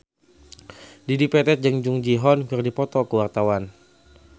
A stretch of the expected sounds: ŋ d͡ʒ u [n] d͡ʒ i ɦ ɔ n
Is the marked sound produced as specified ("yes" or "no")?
no